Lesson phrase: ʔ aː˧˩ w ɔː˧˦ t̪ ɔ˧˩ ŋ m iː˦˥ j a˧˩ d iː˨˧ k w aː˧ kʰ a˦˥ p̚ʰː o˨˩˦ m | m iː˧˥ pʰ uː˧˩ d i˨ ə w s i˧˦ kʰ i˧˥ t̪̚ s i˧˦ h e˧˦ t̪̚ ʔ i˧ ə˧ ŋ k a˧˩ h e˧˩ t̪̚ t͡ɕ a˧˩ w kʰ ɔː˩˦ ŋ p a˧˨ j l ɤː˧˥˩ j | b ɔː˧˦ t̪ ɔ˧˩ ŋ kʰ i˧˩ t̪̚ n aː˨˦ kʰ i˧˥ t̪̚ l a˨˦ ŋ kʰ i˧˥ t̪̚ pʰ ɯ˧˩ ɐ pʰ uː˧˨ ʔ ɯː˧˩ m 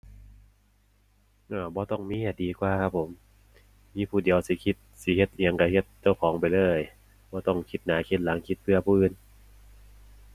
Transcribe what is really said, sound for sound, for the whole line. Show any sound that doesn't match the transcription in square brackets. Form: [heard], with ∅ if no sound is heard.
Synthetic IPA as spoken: ʔ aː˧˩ [b] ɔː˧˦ t̪ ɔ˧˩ ŋ m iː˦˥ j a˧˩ d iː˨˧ k w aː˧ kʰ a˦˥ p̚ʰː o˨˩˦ m | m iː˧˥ pʰ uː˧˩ d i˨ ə w s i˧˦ kʰ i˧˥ t̪̚ s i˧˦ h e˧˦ t̪̚ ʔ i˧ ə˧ ŋ k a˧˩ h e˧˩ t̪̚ t͡ɕ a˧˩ w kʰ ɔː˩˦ ŋ p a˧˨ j l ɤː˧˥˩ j | b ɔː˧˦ t̪ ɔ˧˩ ŋ kʰ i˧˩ t̪̚ n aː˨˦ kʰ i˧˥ t̪̚ l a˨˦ ŋ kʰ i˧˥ t̪̚ pʰ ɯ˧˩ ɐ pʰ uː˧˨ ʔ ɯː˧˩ [n]